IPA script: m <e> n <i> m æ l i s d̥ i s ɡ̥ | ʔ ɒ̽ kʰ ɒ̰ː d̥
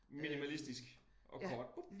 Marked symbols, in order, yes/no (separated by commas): no, yes